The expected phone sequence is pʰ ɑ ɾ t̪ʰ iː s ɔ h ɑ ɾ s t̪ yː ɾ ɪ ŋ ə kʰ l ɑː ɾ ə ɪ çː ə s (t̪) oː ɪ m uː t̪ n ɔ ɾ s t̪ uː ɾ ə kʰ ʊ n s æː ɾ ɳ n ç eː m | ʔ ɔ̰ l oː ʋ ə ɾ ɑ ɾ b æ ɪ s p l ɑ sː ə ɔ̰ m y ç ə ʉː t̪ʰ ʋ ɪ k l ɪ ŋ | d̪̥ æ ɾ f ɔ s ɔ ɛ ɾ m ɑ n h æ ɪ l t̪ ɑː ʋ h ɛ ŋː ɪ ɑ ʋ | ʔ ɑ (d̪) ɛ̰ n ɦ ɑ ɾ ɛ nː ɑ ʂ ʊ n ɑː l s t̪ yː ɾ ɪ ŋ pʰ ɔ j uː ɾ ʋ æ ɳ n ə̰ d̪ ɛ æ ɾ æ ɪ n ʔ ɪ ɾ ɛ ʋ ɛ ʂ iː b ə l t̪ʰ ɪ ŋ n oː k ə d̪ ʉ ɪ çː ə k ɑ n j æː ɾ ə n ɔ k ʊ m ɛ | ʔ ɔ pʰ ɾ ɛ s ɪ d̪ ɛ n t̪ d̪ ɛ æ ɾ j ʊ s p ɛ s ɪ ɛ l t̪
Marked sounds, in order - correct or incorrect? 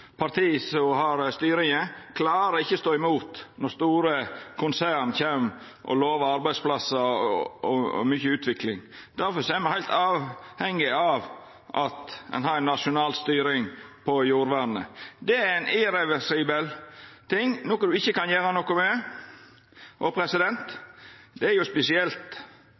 correct, incorrect

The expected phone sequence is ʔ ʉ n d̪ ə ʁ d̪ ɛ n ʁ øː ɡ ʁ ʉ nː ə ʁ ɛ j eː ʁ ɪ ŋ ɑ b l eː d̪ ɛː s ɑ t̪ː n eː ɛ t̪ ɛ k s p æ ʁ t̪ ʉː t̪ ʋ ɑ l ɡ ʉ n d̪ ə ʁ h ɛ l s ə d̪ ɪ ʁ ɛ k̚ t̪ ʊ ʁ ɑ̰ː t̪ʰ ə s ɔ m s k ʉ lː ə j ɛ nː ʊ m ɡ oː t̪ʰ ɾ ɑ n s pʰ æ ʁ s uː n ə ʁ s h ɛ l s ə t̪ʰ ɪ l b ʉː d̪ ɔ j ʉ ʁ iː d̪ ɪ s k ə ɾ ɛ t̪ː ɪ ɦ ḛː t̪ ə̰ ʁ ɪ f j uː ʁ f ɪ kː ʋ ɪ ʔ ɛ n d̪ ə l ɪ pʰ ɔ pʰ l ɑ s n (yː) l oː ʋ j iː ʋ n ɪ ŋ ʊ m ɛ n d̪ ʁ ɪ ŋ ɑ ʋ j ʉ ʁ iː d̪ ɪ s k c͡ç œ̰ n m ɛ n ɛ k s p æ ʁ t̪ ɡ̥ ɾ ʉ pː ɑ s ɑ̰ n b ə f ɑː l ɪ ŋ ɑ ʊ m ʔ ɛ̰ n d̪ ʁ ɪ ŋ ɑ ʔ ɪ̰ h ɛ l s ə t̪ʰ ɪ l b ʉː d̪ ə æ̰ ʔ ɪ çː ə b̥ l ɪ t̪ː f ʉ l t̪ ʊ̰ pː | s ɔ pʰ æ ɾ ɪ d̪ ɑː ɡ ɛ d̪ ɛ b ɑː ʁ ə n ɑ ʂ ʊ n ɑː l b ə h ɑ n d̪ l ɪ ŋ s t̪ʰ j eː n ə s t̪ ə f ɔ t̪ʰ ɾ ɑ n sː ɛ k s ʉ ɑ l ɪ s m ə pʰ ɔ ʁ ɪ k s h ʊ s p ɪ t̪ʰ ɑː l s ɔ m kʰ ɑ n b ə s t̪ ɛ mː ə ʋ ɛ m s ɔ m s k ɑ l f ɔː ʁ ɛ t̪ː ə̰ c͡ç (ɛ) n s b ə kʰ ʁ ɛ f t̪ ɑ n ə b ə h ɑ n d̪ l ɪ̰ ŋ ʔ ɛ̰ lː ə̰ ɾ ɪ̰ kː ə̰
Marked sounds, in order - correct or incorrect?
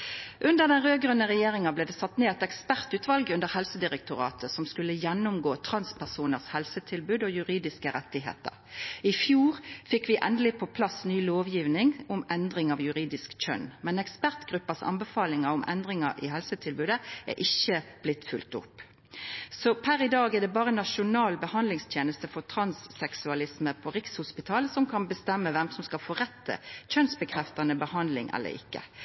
correct, incorrect

